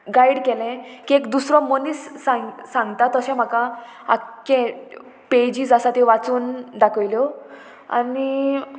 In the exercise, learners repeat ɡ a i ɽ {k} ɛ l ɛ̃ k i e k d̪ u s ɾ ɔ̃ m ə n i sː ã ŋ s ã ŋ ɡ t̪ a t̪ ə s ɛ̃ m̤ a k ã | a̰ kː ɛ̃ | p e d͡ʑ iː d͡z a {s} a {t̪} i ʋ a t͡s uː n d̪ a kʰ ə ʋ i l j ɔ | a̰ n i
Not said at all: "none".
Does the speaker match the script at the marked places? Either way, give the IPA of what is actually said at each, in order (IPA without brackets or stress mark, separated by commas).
k, s, t̪